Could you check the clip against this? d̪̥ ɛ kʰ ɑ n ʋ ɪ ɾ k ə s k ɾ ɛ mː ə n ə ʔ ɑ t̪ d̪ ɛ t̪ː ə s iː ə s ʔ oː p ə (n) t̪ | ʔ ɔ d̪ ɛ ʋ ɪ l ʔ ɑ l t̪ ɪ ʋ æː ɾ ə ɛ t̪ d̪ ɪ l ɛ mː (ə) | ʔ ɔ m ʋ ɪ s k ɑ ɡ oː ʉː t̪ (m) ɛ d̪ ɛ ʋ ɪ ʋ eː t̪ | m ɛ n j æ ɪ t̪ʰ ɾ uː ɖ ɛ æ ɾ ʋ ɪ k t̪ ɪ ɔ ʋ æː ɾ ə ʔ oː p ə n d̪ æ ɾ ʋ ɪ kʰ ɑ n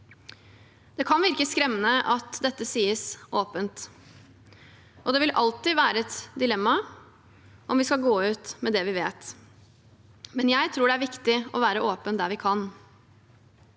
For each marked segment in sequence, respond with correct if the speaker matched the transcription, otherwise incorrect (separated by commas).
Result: correct, incorrect, correct